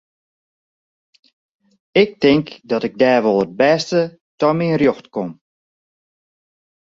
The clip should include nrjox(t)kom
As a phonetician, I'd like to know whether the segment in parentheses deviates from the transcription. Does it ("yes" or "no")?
no